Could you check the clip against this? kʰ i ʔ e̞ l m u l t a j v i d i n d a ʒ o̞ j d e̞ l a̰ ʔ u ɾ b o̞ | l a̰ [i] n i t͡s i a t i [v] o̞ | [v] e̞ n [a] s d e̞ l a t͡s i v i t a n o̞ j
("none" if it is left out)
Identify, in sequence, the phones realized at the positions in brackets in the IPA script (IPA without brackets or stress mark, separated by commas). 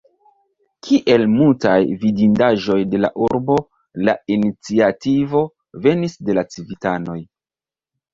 i, v, v, i